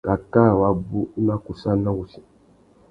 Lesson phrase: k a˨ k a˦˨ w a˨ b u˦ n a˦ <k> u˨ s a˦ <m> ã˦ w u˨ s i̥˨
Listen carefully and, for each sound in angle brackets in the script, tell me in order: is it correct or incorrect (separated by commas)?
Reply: correct, incorrect